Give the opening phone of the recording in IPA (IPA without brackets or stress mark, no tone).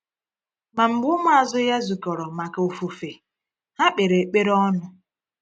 m